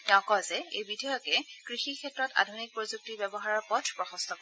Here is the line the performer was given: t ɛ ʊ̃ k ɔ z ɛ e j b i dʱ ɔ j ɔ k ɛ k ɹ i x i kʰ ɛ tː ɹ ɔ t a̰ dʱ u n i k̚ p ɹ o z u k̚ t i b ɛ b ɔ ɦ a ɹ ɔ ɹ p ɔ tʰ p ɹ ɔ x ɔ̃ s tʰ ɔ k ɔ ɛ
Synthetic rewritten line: t ɛ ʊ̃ k ɔ z ɛ e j b i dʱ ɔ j ɔ k ɛ k ɹ i x i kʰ ɛ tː ɹ ɔ t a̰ dʱ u n i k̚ p ɹ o z u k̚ t i b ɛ b ɔ ɦ a ɹ ɔ ɹ p ɔ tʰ p ɹ ɔ x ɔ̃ s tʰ ɔ k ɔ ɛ

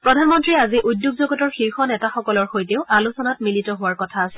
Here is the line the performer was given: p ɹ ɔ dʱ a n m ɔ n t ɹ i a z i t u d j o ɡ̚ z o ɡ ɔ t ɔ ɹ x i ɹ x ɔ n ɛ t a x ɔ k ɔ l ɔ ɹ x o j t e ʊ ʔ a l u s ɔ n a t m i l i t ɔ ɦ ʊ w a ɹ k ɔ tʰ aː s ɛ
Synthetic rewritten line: p ɹ ɔ dʱ a n m ɔ n t ɹ i a z i ʔ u d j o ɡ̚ z o ɡ ɔ t ɔ ɹ x i ɹ x ɔ n ɛ t a x ɔ k ɔ l ɔ ɹ x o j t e ʊ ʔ a l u s ɔ n a t m i l i t ɔ ɦ ʊ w a ɹ k ɔ tʰ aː s ɛ

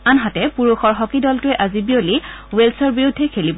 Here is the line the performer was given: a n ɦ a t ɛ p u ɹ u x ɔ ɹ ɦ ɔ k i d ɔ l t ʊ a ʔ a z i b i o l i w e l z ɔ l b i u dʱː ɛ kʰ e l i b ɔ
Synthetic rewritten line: a n ɦ a t ɛ p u ɹ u x ɔ ɹ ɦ ɔ k i d ɔ l t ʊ ɛ ʔ a z i b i o l i w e l s ɔ ɹ b i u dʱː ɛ kʰ e l i b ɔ

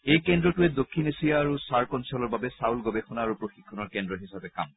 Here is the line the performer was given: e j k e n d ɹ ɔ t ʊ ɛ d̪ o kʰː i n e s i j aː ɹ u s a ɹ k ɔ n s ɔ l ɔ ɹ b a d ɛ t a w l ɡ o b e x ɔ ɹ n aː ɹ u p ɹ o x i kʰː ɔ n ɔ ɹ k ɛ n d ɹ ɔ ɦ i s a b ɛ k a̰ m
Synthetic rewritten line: e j k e n d ɹ ɔ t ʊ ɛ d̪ o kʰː i n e s i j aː ɹ u s a ɹ k ɔ n s ɔ l ɔ ɹ b a b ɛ s a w l ɡ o b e x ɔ n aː ɹ u p ɹ o x i kʰː ɔ n ɔ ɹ k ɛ n d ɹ ɔ ɦ i s a b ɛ k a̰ m

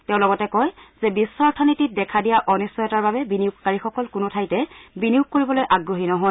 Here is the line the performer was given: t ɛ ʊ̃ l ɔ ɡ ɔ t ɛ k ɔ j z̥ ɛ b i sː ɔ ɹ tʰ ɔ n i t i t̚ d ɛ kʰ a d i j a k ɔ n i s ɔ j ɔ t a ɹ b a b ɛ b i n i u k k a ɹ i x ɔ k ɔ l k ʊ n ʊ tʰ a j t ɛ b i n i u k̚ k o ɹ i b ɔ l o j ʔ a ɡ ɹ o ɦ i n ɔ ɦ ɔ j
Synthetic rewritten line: t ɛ ʊ̃ l ɔ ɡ ɔ t ɛ k ɔ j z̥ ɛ b i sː ɔ ɹ tʰ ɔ n i t i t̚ d ɛ kʰ a d i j a ʔ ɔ n i s ɔ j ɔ t a ɹ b a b ɛ b i n i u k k a ɹ i x ɔ k ɔ l k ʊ n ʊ tʰ a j t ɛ b i n i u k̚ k o ɹ i b ɔ l o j ʔ a ɡ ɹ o ɦ i n ɔ ɦ ɔ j

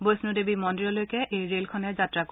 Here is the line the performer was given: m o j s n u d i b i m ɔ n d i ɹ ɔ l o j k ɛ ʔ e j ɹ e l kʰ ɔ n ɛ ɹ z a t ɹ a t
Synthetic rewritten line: b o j s n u d e b i m ɔ n d i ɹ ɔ l o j k ɛ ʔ e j ɹ e l kʰ ɔ n ɛ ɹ z a t ɹ a k

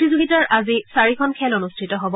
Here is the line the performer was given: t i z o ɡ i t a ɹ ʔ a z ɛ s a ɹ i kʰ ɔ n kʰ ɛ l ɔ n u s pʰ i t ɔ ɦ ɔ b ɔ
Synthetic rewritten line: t i z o ɡ i t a ɹ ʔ a z i s a ɹ i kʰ ɔ n kʰ ɛ l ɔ n u s tʰ i t ɔ ɦ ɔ b ɔ

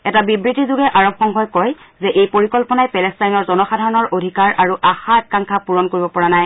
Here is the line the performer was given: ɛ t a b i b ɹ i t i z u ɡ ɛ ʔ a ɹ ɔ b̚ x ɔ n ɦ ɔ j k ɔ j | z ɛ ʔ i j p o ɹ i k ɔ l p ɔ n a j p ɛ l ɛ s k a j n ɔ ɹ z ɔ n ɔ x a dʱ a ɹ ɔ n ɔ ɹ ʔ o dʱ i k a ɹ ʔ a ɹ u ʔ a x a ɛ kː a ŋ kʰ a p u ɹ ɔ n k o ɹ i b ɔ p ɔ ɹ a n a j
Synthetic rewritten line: ɛ t a b i b ɹ i t i z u ɡ ɛ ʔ a ɹ ɔ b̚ x ɔ ŋ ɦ ɔ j k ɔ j | z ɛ ʔ e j p o ɹ i k ɔ l p ɔ n a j p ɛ l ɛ s t a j n ɔ ɹ z ɔ n ɔ x a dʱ a ɹ ɔ n ɔ ɹ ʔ o dʱ i k a ɹ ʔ a ɹ u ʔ a x a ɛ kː a ŋ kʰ a p u ɹ ɔ n k o ɹ i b ɔ p ɔ ɹ a n a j

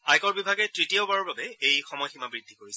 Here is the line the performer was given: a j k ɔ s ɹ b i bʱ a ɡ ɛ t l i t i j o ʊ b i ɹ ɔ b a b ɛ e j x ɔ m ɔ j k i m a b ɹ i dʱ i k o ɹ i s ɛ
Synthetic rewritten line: a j k ɔ ɹ b i bʱ a ɡ ɛ t ɹ i t i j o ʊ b a ɹ ɔ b a b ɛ e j x ɔ m ɔ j x i m a b ɹ i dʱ i k o ɹ i s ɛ

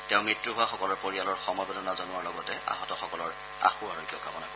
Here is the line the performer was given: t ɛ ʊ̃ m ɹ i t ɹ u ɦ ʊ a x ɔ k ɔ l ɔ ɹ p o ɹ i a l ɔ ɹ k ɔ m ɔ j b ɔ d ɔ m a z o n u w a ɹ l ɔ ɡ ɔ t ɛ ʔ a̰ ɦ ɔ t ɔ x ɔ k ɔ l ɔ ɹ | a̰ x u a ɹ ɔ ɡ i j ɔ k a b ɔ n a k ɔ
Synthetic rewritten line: t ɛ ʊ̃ m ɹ i t ɹ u ɦ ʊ a x ɔ k ɔ l ɔ ɹ p o ɹ i a l ɔ ɹ x ɔ m ɔ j b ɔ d ɔ n a z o n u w a ɹ l ɔ ɡ ɔ t ɛ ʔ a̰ ɦ ɔ t ɔ x ɔ k ɔ l ɔ ɹ | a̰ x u a ɹ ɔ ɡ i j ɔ k a b ɔ n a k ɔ

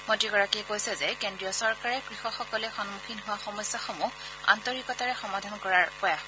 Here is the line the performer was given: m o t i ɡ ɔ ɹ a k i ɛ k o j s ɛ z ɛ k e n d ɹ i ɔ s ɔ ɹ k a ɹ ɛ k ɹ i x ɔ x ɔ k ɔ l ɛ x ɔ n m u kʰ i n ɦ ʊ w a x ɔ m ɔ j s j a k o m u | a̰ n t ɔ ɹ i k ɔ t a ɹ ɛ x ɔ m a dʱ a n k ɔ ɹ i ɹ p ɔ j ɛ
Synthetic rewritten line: m o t i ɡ ɔ ɹ a k i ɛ k o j s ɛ z ɛ k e n d ɹ i ɔ s ɔ ɹ k a ɹ ɛ k ɹ i x ɔ x ɔ k ɔ l ɛ x ɔ n m u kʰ i n ɦ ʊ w a x ɔ m ɔ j s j a x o m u | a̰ n t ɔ ɹ i k ɔ t a ɹ ɛ x ɔ m a dʱ a n k ɔ ɹ a ɹ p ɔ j a

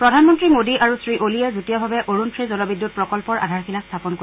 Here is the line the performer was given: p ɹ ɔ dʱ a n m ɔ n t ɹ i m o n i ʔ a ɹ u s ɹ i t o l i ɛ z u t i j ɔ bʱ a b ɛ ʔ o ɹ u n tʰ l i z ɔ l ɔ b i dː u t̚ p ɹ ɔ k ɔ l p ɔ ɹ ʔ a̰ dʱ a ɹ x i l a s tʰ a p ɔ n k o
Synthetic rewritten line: p ɹ ɔ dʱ a n m ɔ n t ɹ i m o d i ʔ a ɹ u s ɹ i ʔ o l i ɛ z u t i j ɔ bʱ a b ɛ ʔ o ɹ u n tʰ ɹ i z ɔ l ɔ b i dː u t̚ p ɹ ɔ k ɔ l p ɔ ɹ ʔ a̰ dʱ a ɹ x i l a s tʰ a p ɔ n k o

